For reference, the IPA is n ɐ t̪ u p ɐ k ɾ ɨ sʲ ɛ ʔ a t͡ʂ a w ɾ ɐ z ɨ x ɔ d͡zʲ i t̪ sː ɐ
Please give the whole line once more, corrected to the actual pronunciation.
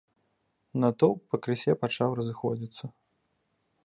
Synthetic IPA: n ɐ t̪ ɔ p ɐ k ɾ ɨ sʲ ɛ p a t͡ʂ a w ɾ ɐ z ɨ x ɔ d͡zʲ i t̪ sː ɐ

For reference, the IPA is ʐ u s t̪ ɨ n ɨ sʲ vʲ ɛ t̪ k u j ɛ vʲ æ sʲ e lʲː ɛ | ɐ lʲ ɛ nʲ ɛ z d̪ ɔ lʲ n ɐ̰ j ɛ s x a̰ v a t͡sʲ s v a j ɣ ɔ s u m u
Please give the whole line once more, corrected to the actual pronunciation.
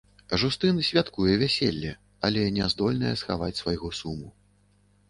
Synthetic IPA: ʐ u s t̪ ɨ n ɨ sʲ vʲ a t̪ k u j ɛ vʲ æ sʲ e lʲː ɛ | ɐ lʲ ɛ nʲ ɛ z d̪ ɔ lʲ n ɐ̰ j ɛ s x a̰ v a t͡sʲ s v a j ɣ ɔ s u m u

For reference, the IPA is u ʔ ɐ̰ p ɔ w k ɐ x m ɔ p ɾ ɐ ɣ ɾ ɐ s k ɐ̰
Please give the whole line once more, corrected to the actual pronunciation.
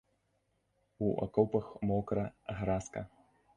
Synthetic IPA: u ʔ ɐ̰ k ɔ w p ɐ x m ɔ k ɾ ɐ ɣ ɾ a s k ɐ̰

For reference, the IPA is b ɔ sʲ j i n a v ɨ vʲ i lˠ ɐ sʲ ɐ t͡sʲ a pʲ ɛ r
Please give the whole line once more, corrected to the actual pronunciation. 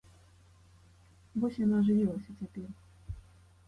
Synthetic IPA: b ɔ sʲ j a n a ʐ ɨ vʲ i lˠ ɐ sʲ ɐ t͡sʲ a pʲ ɛ r

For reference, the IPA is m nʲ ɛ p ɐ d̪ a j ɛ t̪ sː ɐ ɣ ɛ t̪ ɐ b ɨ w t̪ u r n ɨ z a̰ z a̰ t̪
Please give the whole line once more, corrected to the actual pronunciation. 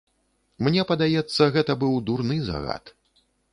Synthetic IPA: m nʲ ɛ p ɐ d̪ a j ɛ t̪ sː ɐ ɣ ɛ t̪ ɐ b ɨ w d̪ u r n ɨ z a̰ ɣ a̰ t̪

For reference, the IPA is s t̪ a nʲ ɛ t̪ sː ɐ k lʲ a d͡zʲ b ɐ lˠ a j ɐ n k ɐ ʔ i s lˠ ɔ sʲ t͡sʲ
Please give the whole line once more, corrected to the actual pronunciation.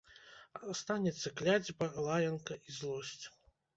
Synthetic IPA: s t̪ a nʲ ɛ t̪ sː ɐ k lʲ a d͡zʲ b ɐ lˠ a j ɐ n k ɐ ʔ i z lˠ ɔ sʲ t͡sʲ

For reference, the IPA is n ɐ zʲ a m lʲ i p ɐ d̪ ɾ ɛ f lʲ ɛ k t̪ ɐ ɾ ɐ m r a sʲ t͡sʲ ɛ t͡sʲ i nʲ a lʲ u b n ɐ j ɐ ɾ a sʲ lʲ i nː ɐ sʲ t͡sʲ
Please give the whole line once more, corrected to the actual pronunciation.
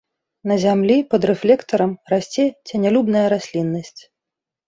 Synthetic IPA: n ɐ zʲ a m lʲ i p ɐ d̪ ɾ ɛ f lʲ ɛ k t̪ ɐ ɾ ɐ m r a sʲ t͡sʲ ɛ t͡sʲ ɛ nʲ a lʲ u b n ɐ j ɐ ɾ a sʲ lʲ i nː ɐ sʲ t͡sʲ

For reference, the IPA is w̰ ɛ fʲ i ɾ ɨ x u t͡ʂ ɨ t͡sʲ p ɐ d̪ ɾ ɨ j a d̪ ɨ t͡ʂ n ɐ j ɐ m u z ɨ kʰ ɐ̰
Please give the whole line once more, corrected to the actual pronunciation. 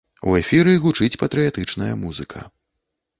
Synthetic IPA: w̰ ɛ fʲ i ɾ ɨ ɣ u t͡ʂ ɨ t͡sʲ p ɐ t̪ ɾ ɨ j a t̪ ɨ t͡ʂ n ɐ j ɐ m u z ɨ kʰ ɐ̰

